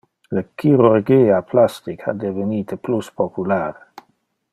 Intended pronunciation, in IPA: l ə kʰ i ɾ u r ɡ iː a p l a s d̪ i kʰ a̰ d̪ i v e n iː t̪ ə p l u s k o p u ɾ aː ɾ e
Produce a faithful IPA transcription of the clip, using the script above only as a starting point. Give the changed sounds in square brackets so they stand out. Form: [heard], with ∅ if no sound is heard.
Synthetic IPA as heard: l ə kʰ i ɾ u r ɡ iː a p l a s [t̪] i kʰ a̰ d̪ [e] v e n iː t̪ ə p l u s [p] o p u [l] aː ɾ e

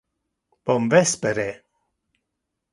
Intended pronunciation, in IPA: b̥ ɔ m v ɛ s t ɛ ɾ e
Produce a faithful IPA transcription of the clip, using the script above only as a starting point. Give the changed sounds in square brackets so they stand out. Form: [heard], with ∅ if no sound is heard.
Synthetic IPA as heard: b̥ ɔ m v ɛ s [p] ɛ ɾ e

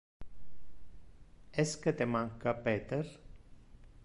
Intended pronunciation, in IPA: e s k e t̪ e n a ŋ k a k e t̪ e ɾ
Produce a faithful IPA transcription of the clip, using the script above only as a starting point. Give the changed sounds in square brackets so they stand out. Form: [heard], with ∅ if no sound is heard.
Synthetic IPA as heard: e s k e t̪ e [m] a ŋ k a [p] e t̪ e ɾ

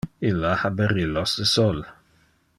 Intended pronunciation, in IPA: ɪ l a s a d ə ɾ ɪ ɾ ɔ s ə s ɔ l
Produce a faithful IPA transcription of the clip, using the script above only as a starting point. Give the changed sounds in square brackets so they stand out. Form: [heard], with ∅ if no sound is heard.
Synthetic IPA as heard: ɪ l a [h] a [b] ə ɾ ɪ [l] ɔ s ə s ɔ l

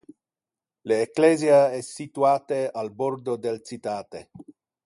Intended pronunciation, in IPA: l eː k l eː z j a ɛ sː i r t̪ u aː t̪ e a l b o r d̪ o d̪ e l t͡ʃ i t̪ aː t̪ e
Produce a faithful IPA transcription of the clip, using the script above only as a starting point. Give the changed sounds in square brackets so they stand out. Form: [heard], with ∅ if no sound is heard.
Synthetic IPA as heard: l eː k l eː z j a ɛ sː i [∅] t̪ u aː t̪ e a l b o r d̪ o d̪ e l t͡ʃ i t̪ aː t̪ e

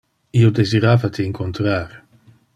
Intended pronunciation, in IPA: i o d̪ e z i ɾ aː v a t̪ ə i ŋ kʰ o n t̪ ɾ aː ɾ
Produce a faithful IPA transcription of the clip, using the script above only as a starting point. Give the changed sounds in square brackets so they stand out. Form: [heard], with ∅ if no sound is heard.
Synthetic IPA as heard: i o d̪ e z i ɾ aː v a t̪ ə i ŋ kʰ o n t̪ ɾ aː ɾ

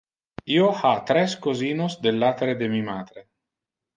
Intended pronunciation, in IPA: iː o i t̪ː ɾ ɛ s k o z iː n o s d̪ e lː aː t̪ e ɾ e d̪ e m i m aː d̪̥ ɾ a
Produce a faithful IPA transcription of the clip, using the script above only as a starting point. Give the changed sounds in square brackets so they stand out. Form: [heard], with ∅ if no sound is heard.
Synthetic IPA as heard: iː o [a] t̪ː ɾ ɛ s k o z iː n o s d̪ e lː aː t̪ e ɾ e d̪ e m i m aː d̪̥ ɾ [e]

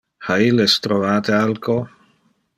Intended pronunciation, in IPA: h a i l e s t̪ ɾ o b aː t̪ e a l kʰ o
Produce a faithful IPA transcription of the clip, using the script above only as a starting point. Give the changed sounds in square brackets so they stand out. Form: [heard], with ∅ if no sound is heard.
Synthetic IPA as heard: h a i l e s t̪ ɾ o [v] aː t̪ e a l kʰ o

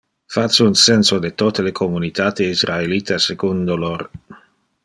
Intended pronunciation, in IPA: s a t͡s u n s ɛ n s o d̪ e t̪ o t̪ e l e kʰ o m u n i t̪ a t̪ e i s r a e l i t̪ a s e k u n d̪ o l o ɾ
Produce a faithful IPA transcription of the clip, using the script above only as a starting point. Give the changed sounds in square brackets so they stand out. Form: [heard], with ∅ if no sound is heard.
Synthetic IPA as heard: [f] a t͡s u n s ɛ n s o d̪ e t̪ o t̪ e l e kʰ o m u n i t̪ a t̪ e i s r a e l i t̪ a s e k u n d̪ o l o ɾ

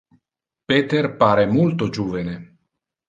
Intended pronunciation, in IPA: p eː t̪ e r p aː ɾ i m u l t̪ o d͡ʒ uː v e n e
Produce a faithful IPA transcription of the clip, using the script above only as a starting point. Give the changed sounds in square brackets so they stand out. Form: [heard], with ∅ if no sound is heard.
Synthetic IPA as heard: p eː t̪ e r p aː ɾ [e] m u l t̪ o d͡ʒ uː v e n e

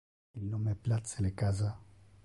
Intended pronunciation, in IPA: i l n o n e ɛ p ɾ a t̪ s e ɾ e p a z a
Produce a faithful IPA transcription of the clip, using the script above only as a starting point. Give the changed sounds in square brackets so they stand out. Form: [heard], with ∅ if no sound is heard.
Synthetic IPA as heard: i l n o [m] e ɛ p [l] a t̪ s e [l] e [k] a z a

